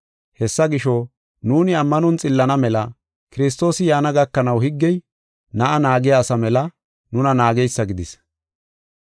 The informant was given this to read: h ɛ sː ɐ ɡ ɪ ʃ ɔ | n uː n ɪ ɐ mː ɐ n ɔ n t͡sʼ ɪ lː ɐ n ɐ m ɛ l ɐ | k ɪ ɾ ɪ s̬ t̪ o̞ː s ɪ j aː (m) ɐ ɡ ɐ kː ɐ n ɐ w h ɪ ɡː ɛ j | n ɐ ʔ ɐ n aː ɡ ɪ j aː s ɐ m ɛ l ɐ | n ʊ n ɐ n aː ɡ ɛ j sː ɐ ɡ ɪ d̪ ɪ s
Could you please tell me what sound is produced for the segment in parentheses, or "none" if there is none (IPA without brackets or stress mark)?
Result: n